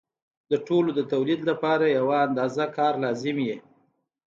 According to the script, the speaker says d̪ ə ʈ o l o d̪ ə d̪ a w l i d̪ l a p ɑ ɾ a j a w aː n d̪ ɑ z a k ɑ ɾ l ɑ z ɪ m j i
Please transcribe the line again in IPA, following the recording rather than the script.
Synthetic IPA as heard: d̪ ə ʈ o l o d̪ ə t̪ a w l i d̪ l a p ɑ ɾ a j a w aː n d̪ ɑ z a k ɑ ɾ l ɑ z ɪ m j e